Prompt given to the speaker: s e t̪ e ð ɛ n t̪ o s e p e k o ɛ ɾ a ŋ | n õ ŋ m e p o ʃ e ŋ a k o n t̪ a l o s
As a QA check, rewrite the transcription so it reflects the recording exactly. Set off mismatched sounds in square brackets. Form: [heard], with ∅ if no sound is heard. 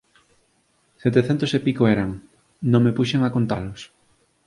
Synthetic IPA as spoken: s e t̪ e [θ] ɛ n t̪ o s e p [i] k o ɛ ɾ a ŋ | n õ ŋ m e p [u] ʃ e ŋ a k o n t̪ a l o s